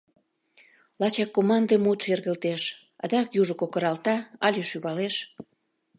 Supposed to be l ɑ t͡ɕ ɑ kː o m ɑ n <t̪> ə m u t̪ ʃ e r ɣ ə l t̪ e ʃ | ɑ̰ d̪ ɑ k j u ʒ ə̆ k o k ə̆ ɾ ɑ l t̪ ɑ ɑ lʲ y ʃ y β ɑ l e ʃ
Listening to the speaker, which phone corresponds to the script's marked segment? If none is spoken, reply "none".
d̪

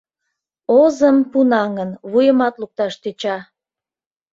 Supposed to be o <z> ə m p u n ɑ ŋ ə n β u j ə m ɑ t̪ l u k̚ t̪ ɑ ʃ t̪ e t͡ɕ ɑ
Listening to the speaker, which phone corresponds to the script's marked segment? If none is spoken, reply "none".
z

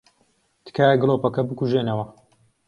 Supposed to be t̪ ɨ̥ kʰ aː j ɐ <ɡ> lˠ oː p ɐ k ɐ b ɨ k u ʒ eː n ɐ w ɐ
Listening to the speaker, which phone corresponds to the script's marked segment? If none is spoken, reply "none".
ɡ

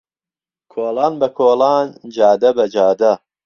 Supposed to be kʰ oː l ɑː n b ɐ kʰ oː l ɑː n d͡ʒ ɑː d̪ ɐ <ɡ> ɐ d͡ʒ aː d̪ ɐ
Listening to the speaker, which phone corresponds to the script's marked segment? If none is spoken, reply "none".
b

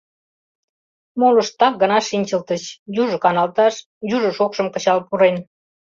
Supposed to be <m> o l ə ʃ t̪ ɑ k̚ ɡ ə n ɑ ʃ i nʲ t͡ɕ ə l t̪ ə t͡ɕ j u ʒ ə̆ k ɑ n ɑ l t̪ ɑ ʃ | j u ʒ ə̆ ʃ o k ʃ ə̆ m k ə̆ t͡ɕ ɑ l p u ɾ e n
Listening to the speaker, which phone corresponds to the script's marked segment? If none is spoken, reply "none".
m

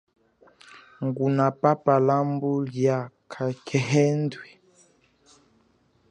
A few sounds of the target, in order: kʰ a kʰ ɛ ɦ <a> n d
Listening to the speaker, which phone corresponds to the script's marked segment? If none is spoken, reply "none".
ɛ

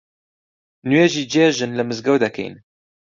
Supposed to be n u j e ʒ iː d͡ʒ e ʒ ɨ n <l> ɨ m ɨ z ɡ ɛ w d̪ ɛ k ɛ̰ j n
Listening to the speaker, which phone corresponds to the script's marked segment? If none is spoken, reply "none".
l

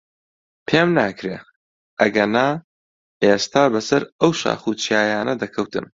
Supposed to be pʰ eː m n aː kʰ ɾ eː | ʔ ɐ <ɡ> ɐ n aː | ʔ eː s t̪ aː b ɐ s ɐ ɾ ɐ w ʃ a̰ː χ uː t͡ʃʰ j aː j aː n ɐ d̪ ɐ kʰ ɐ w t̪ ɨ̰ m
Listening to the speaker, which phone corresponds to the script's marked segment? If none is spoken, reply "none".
ɡ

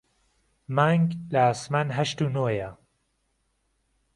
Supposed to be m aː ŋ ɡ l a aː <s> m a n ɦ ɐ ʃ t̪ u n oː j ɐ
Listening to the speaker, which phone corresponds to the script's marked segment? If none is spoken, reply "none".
s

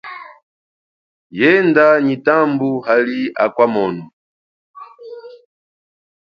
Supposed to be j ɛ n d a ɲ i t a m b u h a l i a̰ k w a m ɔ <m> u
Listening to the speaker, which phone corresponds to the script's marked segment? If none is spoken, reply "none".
n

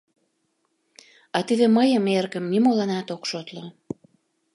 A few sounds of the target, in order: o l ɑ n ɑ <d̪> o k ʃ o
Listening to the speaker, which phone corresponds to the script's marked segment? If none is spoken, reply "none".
t̪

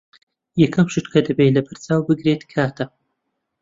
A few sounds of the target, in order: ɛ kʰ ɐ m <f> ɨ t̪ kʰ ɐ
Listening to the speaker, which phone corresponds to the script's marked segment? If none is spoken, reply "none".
ʃ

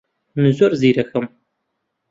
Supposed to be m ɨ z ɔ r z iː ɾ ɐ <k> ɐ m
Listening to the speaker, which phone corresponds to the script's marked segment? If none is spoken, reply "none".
x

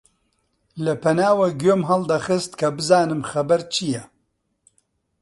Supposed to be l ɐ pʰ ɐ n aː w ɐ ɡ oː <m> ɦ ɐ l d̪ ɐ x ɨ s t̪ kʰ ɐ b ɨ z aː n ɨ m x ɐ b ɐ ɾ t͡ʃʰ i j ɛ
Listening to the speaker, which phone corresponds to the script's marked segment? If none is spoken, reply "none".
m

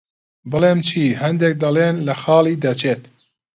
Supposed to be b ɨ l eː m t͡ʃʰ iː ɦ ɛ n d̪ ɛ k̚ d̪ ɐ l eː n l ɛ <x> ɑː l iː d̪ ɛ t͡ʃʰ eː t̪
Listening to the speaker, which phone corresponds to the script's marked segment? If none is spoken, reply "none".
x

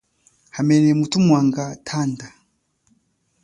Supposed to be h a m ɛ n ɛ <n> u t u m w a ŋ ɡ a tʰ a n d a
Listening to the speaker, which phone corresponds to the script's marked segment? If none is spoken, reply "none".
m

